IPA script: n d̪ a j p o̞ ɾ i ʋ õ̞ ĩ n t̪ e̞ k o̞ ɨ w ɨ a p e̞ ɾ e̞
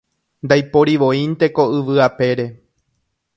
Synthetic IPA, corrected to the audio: n d̪ a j p o̞ ɾ i ʋ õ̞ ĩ n t̪ e̞ k o̞ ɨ ʋ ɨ a p e̞ ɾ e̞